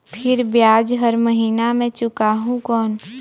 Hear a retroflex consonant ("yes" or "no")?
no